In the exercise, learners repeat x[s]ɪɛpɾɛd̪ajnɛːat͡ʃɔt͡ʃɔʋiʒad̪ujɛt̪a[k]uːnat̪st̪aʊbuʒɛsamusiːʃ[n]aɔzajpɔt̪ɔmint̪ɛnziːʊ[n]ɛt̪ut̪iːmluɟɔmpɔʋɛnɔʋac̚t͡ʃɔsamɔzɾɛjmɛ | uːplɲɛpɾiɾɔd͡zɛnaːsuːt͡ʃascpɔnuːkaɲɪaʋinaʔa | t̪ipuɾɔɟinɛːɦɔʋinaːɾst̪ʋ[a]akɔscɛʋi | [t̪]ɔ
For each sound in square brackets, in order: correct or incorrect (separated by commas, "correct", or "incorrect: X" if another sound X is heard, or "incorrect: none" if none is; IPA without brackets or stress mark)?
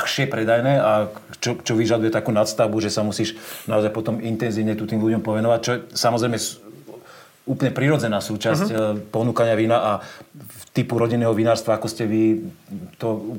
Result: incorrect: ʃ, correct, correct, incorrect: ɲ, correct, correct